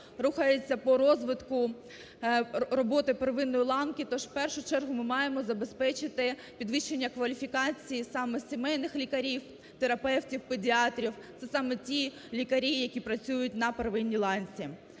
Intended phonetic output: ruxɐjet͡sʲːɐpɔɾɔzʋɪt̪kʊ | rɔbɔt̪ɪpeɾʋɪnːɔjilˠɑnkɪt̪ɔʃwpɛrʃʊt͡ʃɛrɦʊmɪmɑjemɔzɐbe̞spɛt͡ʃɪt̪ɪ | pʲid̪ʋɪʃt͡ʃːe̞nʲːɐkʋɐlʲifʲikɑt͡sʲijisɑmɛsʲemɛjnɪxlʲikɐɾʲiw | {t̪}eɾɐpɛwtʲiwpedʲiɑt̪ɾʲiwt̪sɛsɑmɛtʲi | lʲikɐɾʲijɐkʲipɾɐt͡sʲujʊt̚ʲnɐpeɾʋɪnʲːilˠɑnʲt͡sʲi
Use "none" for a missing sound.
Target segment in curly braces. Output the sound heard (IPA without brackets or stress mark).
t̪